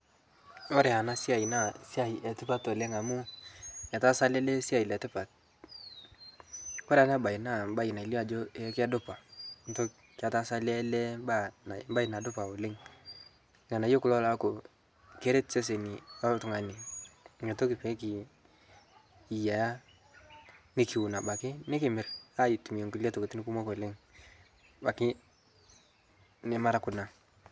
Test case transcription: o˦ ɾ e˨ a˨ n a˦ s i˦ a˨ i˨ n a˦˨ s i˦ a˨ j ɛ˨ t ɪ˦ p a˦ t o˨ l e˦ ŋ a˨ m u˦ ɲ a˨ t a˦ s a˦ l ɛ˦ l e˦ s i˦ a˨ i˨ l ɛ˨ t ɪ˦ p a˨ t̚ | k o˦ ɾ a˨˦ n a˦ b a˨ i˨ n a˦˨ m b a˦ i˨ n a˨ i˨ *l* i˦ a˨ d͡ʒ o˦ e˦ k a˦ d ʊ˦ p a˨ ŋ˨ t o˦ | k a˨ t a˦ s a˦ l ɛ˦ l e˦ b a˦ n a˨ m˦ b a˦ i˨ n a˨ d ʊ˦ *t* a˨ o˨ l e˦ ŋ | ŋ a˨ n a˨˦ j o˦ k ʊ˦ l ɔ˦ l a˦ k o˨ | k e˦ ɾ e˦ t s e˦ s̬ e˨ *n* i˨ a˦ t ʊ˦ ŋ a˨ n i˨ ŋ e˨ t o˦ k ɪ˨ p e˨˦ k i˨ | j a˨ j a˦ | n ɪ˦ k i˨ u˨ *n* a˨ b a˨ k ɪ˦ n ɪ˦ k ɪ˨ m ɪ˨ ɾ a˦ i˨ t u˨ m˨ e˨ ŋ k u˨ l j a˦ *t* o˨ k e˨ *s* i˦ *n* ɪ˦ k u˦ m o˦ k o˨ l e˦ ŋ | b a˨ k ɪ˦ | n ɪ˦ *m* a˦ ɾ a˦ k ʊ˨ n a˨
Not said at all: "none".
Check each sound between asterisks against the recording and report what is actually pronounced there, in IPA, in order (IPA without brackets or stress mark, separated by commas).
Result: l, p, n, n, t, t, n, m